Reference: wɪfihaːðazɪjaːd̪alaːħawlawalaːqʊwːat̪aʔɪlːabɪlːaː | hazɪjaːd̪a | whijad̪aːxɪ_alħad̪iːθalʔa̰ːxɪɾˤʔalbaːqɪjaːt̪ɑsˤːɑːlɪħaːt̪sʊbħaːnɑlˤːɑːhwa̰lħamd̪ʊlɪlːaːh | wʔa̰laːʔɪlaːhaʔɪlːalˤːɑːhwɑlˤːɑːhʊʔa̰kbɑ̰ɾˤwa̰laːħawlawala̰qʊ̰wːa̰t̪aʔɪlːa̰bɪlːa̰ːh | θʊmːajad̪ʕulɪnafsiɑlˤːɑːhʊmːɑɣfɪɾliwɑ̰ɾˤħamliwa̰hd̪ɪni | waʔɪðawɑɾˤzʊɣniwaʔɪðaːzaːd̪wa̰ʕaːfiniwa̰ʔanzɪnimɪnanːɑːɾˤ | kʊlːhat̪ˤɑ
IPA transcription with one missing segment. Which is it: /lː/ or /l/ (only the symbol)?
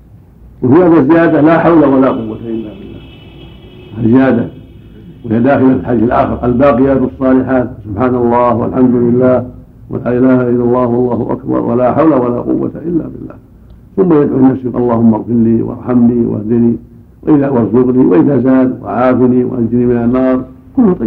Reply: l